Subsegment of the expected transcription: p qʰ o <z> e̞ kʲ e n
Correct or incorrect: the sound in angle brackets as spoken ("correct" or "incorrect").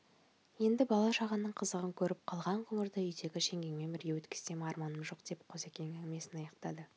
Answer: correct